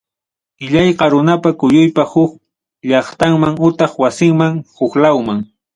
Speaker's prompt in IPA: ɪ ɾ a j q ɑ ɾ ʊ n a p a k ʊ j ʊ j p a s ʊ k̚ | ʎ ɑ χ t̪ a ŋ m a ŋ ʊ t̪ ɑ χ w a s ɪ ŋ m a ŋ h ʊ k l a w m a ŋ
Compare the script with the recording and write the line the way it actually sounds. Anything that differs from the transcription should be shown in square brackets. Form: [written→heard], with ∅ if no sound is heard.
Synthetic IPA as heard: ɪ [ɾ→ʎ] a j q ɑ ɾ ʊ n a p a k ʊ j ʊ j p a [s→h] ʊ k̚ | ʎ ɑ χ t̪ a ŋ m a ŋ ʊ t̪ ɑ χ w a s ɪ ŋ m a ŋ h ʊ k l a w m a ŋ